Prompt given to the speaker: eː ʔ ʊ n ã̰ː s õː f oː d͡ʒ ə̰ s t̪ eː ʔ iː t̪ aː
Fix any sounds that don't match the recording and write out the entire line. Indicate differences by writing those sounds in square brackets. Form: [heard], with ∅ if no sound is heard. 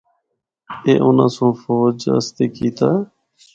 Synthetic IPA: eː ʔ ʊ n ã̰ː s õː f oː d͡ʒ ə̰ s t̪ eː [k] iː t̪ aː